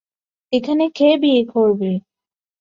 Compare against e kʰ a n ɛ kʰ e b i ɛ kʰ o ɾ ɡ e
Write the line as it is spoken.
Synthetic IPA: e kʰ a n e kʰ e b i e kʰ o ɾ b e